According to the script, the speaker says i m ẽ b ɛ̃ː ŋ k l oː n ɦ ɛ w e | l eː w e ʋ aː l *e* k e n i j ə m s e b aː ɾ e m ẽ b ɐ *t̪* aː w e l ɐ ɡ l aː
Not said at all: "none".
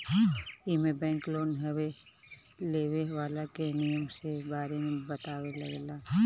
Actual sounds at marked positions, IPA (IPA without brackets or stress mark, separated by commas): a, t̪